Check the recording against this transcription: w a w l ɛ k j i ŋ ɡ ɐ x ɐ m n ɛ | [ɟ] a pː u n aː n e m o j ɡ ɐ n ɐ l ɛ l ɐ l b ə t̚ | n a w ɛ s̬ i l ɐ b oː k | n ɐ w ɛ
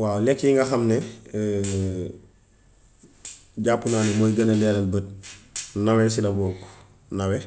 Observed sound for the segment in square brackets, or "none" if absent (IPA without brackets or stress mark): ɟ